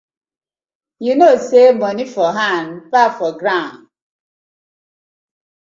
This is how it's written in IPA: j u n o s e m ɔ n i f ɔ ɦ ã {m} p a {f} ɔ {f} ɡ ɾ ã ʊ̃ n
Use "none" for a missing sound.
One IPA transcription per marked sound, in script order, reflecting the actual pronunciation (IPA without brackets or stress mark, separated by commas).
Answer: n, f, none